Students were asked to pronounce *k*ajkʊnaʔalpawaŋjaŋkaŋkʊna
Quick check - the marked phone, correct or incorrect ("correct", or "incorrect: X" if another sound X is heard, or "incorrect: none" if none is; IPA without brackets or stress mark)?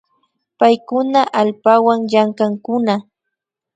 incorrect: p